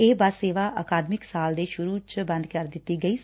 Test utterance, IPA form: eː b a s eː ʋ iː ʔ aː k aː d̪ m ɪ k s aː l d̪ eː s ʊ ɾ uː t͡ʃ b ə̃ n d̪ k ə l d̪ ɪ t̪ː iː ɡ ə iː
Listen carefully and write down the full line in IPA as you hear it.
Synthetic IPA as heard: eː b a s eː ʋ aː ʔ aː k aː d̪ m ɪ k s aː l d̪ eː ʃ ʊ ɾ uː t͡ʃ b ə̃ n d̪ k ə ɾ d̪ ɪ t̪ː iː ɡ ə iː